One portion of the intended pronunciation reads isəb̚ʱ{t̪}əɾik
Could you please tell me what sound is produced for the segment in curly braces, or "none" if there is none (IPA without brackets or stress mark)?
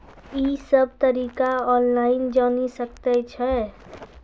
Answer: t̪